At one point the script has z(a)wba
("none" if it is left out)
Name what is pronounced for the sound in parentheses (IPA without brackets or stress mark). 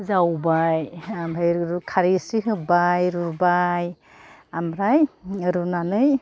a